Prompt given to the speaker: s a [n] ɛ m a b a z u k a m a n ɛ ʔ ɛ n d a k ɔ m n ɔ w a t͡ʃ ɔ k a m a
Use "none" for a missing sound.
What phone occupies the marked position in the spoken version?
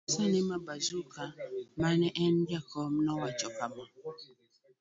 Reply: n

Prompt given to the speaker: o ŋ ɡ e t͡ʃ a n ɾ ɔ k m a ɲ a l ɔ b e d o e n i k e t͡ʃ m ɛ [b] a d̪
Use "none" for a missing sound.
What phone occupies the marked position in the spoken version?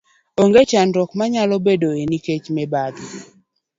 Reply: b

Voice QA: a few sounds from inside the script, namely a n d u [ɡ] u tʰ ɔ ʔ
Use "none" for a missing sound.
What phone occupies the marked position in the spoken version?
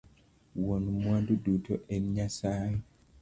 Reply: d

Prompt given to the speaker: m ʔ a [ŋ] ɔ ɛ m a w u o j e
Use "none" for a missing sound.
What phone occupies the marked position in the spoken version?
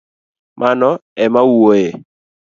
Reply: n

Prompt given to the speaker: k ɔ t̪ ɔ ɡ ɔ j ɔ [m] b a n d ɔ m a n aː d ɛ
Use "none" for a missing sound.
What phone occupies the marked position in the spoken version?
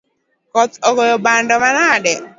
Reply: none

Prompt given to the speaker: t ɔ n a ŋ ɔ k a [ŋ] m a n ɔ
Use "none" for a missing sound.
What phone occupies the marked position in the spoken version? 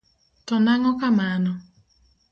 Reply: none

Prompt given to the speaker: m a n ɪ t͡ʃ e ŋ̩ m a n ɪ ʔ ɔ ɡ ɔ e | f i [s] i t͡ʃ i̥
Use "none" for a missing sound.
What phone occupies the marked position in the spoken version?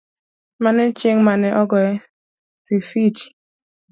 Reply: f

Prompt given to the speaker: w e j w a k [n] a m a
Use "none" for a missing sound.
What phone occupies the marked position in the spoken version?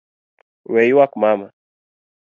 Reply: m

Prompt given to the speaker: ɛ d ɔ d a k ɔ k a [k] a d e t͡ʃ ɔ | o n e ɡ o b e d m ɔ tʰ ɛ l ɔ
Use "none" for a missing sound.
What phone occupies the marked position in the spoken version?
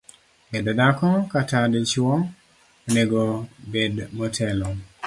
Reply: t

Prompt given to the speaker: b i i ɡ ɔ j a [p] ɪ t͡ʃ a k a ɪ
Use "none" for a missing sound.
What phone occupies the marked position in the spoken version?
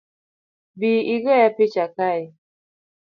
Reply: p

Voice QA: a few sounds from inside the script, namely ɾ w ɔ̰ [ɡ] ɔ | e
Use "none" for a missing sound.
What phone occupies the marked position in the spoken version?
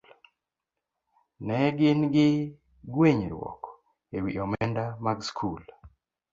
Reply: k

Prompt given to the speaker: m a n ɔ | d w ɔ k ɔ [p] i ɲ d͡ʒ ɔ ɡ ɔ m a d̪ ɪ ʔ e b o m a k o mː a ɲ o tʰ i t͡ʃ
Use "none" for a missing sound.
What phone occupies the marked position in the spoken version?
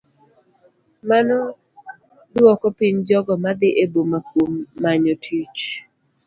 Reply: p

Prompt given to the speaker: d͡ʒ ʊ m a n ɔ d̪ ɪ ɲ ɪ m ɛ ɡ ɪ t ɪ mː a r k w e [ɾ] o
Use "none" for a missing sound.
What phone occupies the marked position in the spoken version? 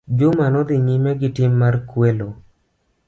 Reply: l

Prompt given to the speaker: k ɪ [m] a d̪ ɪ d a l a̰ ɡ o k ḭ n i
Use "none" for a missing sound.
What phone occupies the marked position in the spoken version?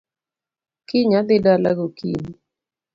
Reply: ɲ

